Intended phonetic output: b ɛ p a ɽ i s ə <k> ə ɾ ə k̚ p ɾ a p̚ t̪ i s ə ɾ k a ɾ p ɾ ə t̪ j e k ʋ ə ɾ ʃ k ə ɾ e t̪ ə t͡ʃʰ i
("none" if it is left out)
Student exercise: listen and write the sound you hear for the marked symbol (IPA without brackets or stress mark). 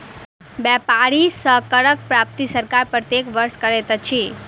k